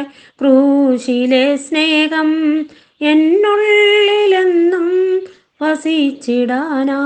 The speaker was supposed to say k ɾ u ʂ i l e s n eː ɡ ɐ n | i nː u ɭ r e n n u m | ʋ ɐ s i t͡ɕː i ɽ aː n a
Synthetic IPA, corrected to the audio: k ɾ u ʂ i l e s n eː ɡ ɐ m | e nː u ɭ l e n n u m | ʋ ɐ s i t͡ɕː i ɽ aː n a